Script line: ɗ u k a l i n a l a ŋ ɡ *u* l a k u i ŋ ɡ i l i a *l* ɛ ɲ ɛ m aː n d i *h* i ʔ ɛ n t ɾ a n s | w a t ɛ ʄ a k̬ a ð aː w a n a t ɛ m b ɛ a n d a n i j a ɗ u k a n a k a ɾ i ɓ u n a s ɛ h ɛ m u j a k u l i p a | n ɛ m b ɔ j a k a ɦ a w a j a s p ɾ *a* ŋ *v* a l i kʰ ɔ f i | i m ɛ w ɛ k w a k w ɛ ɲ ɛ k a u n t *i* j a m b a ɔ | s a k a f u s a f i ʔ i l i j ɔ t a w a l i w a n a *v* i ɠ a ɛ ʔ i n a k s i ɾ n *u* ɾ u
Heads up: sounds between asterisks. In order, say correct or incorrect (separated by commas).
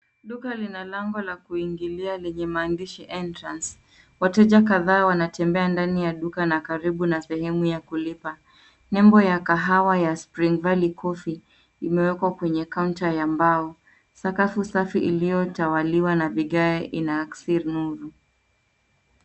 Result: incorrect, correct, incorrect, incorrect, correct, incorrect, correct, correct